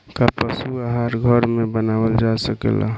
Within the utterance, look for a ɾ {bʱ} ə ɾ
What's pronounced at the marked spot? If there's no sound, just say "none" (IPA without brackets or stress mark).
ɡʱ